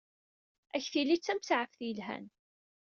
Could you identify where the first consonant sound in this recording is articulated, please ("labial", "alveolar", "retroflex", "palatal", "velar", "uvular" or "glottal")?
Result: palatal